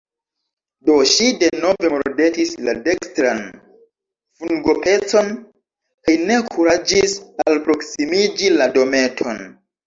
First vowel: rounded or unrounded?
rounded